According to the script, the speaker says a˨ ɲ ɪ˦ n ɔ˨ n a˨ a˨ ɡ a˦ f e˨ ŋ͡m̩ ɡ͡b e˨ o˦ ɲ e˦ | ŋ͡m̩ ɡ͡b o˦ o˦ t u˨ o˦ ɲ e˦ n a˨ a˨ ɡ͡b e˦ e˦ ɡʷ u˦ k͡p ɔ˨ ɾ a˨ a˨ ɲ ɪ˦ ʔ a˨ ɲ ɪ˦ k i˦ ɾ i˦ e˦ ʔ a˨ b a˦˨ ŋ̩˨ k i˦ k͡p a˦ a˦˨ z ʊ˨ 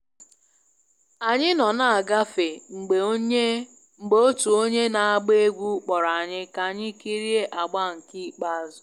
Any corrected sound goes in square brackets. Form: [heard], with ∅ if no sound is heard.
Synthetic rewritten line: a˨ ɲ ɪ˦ n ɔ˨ n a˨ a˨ ɡ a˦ f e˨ ŋ͡m̩ ɡ͡b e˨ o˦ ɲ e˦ | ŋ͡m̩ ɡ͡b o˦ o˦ t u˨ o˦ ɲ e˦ n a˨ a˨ ɡ͡b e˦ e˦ ɡʷ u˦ k͡p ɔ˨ ɾ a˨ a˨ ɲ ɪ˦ [k] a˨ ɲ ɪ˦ k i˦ ɾ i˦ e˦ ʔ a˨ [ɡ͡b] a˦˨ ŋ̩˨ k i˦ k͡p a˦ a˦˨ z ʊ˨